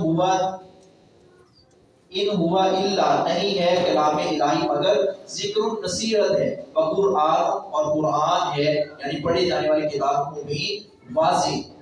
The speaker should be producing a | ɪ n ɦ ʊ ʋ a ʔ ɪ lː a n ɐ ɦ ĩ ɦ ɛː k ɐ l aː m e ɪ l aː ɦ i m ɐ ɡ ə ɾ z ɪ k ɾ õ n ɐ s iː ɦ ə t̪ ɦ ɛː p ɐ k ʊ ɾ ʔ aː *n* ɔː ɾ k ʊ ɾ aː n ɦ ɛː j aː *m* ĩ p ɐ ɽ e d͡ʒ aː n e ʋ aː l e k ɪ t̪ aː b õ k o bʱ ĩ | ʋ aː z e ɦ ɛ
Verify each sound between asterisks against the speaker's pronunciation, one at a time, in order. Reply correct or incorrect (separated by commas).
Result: correct, incorrect